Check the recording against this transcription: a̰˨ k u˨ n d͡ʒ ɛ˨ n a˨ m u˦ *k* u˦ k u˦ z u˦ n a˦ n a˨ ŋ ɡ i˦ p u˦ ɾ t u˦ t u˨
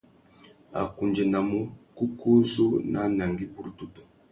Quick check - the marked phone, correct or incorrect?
correct